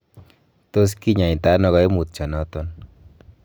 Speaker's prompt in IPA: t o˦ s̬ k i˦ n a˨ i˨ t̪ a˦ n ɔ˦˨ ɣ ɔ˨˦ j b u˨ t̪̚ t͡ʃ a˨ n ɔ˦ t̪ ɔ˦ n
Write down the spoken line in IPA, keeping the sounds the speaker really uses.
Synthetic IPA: t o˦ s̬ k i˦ ɲ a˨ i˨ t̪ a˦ n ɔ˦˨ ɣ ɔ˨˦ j m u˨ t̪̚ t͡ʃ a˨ n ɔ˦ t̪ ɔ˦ n